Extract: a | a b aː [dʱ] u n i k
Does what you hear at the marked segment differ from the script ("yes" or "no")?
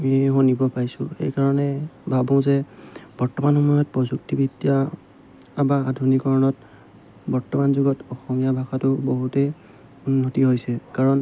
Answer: no